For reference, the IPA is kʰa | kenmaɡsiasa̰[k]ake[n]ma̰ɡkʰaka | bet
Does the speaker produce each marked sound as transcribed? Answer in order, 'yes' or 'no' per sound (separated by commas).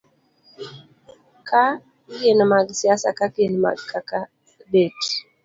yes, yes